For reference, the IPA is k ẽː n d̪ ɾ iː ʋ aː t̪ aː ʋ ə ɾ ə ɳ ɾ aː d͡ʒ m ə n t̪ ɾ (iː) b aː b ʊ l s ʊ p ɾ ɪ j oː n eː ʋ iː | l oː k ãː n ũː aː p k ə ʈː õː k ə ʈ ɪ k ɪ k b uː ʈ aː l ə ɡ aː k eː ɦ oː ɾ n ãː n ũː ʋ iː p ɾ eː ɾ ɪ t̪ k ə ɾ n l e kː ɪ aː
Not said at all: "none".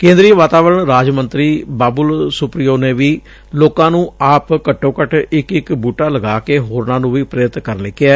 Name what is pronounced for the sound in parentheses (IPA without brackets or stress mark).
iː